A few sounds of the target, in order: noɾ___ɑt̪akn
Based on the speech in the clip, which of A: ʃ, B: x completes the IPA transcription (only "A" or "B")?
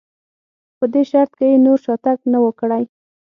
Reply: A